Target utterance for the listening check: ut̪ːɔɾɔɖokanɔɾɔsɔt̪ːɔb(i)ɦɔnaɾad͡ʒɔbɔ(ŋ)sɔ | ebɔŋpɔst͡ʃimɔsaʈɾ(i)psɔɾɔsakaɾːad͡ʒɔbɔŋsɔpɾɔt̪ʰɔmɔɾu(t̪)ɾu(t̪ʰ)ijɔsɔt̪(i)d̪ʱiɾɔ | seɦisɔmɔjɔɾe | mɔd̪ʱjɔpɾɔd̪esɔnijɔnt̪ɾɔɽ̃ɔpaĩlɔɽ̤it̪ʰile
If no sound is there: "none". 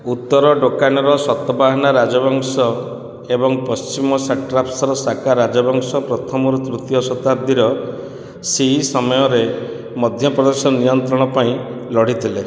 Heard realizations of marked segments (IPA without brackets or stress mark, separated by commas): a, ŋ, a, t̪, t̪, a